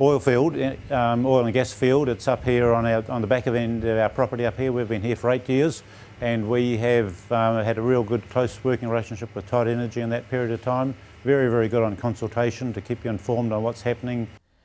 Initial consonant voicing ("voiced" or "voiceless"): voiced